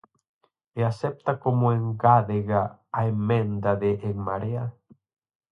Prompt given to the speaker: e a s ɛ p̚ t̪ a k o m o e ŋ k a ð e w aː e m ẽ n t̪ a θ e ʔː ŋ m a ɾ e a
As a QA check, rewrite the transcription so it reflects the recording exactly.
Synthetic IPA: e a s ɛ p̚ t̪ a k o m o e ŋ ɡ a ð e ɣ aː e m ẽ n d̪ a ð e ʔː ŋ m a ɾ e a